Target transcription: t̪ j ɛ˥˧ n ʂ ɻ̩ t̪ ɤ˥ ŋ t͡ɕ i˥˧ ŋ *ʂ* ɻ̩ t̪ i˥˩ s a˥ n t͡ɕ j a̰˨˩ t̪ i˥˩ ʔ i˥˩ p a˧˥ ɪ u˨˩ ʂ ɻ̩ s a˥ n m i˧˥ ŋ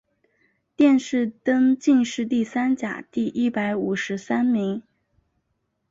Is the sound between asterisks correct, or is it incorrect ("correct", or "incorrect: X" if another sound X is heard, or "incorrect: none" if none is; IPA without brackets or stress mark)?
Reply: correct